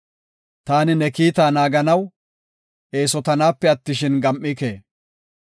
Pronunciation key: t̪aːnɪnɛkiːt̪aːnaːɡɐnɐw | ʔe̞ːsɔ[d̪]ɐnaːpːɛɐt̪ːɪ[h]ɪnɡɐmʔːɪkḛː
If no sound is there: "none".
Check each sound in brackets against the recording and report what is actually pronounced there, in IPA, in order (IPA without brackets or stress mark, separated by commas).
t̪, ʃ